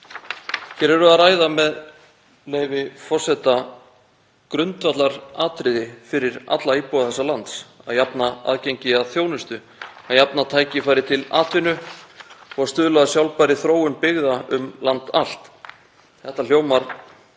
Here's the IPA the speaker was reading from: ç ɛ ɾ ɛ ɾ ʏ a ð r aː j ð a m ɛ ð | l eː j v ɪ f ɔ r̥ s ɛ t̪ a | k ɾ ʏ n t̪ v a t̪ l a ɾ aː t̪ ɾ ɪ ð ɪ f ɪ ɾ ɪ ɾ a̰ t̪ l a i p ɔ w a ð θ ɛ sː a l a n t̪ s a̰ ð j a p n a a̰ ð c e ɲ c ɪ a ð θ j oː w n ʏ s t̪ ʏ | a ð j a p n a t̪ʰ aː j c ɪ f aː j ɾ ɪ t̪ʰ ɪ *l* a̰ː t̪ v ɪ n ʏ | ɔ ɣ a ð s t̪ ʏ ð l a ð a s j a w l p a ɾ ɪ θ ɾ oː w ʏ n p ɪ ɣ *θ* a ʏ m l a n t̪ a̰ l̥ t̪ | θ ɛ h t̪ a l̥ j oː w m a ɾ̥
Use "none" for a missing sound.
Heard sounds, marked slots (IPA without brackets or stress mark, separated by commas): l, ð